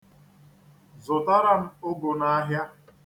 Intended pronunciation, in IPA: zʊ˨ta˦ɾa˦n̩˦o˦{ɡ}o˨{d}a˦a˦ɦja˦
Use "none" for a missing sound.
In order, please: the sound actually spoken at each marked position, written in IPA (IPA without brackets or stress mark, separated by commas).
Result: ɡ, n